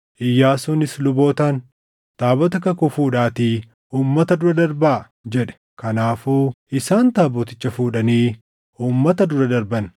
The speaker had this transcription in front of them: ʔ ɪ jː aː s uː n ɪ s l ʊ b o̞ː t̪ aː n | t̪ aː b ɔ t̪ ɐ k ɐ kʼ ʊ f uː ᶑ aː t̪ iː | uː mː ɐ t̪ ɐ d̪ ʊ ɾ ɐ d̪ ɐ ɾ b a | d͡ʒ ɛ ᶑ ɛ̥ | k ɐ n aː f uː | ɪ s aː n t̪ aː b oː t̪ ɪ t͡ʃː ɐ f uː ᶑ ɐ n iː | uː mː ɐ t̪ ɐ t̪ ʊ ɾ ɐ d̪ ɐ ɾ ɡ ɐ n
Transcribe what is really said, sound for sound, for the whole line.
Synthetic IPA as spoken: ʔ ɪ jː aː s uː n ɪ s l ʊ b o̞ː t̪ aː n | t̪ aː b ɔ t̪ ɐ k ɐ k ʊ f uː ᶑ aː t̪ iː | uː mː ɐ t̪ ɐ d̪ ʊ ɾ ɐ d̪ ɐ ɾ b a | d͡ʒ ɛ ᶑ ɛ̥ | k ɐ n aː f uː | ɪ s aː n t̪ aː b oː t̪ ɪ t͡ʃː ɐ f uː ᶑ ɐ n iː | uː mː ɐ t̪ ɐ d̪ ʊ ɾ ɐ d̪ ɐ ɾ b ɐ n